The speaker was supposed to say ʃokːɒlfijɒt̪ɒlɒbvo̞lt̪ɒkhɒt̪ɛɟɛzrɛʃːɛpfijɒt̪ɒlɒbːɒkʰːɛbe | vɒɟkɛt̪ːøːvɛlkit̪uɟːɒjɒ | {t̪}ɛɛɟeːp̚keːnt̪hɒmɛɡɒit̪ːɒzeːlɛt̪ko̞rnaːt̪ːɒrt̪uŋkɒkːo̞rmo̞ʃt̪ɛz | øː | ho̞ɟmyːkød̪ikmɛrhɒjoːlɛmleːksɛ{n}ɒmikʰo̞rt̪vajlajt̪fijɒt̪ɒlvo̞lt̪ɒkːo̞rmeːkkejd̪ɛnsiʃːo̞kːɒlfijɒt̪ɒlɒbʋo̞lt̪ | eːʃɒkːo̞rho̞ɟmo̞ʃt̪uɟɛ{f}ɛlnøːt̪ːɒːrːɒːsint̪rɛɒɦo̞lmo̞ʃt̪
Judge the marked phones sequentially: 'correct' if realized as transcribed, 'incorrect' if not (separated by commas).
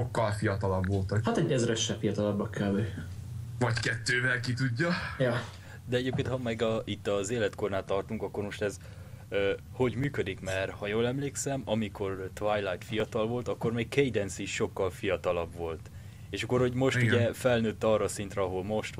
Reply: incorrect, incorrect, correct